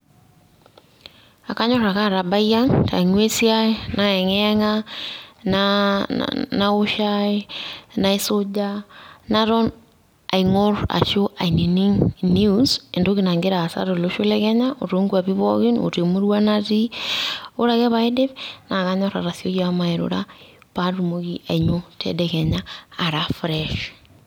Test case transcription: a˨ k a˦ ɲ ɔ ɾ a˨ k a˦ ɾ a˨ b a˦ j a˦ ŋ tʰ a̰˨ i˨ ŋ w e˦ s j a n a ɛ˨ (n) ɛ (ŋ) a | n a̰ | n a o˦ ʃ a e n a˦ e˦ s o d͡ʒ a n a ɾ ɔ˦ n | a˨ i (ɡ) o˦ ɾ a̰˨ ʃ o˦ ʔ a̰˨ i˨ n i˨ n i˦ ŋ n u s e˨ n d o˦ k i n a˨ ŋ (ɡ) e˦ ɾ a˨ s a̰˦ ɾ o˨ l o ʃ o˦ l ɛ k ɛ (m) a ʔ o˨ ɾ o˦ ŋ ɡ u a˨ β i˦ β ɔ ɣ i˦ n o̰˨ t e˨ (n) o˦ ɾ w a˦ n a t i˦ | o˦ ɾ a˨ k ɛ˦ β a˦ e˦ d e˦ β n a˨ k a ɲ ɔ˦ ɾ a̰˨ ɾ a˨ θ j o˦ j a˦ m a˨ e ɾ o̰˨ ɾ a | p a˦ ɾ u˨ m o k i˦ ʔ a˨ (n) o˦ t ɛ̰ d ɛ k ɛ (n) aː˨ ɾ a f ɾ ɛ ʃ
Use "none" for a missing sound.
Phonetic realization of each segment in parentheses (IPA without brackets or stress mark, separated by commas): ŋ, ŋ, ŋ, ɡ, ɲ, m, ɲ, ɲ